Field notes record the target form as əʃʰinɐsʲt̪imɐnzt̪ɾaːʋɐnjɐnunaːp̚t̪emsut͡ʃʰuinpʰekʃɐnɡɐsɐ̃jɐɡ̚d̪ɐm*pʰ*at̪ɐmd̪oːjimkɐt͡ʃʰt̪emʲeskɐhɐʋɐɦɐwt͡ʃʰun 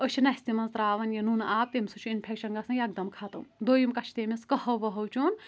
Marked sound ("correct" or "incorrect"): incorrect